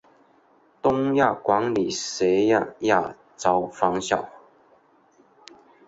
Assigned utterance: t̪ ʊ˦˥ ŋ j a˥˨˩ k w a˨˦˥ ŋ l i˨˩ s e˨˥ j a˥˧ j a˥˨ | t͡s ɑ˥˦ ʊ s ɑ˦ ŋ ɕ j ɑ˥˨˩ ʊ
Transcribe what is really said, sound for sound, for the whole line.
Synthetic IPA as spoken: t̪ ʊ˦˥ ŋ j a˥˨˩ k w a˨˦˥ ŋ l i˨˩ s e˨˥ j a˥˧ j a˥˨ | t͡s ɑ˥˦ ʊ f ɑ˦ ŋ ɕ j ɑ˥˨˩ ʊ